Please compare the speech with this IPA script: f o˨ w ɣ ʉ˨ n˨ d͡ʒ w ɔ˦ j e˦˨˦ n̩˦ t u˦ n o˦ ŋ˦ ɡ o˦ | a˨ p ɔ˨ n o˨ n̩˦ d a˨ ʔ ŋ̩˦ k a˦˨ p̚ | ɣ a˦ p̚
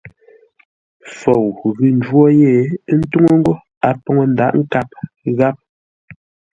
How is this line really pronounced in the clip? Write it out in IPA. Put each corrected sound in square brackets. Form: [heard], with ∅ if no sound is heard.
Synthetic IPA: f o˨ w ɣ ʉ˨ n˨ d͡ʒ w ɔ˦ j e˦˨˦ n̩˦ t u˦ [ŋ] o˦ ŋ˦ ɡ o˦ | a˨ p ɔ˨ [ŋ] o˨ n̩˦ d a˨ ʔ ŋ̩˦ k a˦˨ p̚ | ɣ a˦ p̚

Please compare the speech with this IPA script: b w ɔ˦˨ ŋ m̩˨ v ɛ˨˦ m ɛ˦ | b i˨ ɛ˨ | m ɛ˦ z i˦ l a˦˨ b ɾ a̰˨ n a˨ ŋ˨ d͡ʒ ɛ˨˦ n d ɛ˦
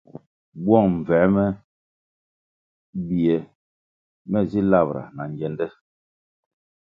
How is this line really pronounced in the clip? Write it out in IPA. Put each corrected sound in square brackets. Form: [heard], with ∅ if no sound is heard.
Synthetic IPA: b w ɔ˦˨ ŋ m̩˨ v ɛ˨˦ m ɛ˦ | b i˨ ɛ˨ | m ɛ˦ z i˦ l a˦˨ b ɾ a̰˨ n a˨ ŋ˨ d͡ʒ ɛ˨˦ n d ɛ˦

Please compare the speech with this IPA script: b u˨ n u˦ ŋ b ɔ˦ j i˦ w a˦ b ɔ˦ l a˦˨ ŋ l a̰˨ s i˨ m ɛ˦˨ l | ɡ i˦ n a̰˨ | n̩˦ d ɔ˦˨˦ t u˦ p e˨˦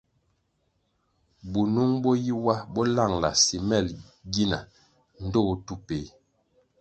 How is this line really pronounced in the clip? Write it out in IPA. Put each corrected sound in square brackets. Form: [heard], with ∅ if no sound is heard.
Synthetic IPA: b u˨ n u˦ ŋ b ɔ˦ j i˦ w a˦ b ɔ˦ l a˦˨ ŋ l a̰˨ s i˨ m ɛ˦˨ l | ɡ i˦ n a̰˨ | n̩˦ d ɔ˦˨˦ t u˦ p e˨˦

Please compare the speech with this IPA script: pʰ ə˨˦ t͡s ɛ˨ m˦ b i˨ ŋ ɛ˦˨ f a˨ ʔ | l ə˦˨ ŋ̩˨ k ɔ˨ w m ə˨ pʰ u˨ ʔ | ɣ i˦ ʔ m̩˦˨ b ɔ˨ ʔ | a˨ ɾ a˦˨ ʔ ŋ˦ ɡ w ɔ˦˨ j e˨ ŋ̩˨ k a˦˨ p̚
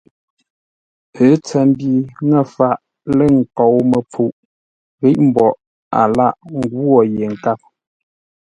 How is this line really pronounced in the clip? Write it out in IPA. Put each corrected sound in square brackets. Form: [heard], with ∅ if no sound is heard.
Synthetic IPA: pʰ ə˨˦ t͡s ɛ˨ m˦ b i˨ ŋ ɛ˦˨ f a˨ ʔ | l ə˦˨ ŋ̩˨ k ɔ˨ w m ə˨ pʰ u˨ ʔ | ɣ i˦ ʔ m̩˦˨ b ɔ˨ ʔ | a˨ [l] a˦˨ ʔ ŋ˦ ɡ w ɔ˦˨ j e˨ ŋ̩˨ k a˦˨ p̚

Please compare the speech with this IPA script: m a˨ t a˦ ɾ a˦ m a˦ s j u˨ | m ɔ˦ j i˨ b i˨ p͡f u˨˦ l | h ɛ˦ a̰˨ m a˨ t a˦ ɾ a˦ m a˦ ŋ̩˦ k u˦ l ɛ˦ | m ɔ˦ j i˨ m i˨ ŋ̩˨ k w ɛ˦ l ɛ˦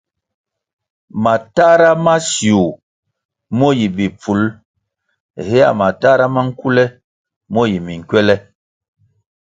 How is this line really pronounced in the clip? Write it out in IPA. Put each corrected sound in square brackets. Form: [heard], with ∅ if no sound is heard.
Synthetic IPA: m a˨ t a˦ ɾ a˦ m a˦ s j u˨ | m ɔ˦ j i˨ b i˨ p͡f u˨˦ l | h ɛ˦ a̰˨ m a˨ t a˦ ɾ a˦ m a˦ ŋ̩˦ k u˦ l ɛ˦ | m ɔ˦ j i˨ m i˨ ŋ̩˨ k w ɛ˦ l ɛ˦

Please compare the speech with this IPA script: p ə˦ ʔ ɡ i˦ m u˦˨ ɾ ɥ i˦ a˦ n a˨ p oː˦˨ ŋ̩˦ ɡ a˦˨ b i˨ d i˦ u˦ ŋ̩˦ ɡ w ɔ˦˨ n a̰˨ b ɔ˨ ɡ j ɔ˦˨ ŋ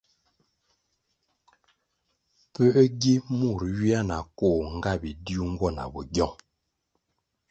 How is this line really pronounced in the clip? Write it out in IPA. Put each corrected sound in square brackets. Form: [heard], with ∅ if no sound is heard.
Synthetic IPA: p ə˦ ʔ ɡ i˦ m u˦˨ ɾ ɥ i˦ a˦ n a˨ [k] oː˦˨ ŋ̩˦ ɡ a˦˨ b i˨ d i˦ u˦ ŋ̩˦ ɡ w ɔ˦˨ n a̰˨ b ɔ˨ ɡ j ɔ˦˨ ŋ

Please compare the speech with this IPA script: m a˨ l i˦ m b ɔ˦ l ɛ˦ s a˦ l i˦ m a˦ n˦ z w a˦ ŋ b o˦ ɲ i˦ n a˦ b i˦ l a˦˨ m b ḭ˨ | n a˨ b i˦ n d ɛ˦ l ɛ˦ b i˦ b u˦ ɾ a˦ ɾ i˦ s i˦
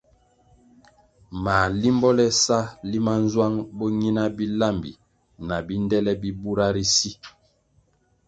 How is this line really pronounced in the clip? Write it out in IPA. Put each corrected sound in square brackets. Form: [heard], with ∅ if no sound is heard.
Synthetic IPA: m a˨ l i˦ m b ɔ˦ l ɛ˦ s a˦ l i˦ m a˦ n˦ z w a˦ ŋ b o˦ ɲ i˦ n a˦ b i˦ l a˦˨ m b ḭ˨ | n a˨ b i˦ n d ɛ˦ l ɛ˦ b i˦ b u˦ ɾ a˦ ɾ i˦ s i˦

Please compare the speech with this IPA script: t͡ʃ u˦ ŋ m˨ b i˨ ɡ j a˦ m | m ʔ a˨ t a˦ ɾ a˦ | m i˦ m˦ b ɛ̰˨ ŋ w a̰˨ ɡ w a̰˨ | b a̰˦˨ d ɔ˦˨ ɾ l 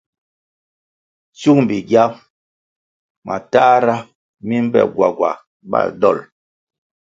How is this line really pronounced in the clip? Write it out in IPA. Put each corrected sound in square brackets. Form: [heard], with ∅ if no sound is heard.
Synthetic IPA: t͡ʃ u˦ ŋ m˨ b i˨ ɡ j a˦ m | m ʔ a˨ t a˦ ɾ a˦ | m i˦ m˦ b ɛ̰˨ [ɡ] w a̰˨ ɡ w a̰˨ | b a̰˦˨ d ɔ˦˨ [∅] l

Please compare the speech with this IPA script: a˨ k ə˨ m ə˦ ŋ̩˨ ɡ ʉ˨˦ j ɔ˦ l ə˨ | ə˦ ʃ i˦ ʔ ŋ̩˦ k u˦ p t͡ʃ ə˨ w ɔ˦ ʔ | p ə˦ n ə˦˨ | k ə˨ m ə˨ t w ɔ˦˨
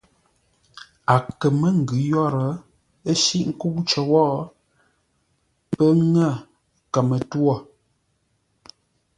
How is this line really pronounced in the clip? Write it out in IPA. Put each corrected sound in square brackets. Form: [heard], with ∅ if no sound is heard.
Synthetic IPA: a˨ k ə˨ m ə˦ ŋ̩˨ ɡ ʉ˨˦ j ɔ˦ [ɾ] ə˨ | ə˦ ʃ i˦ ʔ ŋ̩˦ k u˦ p t͡ʃ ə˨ w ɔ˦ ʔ | p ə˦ [ŋ] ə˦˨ | k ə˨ m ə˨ t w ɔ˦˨

